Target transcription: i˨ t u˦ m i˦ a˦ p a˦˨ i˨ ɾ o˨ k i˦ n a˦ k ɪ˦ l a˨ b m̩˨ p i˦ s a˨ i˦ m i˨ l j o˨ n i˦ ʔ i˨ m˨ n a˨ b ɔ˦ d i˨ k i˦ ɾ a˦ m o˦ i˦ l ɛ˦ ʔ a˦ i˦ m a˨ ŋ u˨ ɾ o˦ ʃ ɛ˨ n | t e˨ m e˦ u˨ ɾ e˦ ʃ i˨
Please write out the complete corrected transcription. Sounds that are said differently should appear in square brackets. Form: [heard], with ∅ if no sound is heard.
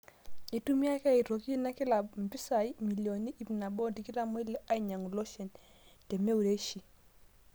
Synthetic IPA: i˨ t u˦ m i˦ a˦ [k] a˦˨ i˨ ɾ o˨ k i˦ n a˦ k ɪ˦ l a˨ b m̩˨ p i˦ s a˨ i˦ m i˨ l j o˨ n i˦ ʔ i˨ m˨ n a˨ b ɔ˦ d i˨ k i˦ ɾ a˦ m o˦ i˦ l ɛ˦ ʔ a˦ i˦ [ɲ] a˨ ŋ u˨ [l] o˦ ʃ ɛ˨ n | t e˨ m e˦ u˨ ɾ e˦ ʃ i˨